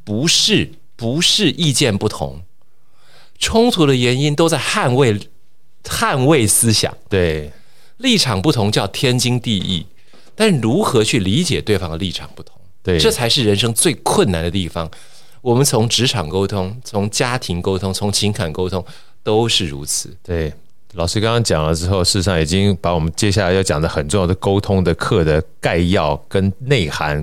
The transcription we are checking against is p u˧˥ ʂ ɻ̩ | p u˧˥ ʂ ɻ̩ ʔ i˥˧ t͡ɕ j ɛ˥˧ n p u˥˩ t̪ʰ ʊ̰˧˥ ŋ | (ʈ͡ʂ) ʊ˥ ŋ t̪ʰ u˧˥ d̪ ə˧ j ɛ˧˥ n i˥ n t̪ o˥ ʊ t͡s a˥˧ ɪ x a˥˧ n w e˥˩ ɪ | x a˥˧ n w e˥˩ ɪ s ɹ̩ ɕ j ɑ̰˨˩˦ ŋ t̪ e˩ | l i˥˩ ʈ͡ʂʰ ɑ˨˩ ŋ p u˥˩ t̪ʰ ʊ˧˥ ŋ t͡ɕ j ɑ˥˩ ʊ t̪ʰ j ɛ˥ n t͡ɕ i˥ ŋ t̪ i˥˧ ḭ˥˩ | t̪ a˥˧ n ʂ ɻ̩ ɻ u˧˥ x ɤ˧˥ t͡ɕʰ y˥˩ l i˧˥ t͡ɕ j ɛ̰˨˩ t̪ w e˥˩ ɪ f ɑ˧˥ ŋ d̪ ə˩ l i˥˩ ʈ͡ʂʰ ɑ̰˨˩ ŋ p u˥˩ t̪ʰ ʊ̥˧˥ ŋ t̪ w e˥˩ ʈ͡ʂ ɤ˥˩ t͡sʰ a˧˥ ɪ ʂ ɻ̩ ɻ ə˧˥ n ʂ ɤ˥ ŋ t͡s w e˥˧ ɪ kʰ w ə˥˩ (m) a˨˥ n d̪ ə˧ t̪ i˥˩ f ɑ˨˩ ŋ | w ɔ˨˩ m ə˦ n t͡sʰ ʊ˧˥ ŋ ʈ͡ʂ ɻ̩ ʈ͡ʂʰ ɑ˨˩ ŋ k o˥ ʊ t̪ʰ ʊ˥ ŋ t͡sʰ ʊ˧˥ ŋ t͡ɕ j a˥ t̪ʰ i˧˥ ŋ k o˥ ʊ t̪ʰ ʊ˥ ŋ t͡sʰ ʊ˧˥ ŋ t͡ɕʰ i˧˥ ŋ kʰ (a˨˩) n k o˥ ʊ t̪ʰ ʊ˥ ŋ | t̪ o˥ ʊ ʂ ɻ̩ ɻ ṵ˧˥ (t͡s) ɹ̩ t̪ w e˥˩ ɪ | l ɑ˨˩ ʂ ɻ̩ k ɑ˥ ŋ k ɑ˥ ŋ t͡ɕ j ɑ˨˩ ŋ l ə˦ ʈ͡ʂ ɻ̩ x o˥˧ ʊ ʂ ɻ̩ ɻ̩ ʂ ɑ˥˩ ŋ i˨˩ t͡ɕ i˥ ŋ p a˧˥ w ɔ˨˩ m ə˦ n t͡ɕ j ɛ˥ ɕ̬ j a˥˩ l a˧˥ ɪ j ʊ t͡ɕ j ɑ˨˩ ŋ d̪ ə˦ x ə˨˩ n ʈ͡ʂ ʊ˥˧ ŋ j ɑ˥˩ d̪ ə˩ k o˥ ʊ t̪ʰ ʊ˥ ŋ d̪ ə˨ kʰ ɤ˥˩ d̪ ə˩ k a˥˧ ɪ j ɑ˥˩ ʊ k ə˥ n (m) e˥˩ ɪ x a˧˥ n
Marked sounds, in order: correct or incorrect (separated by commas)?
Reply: incorrect, incorrect, correct, incorrect, incorrect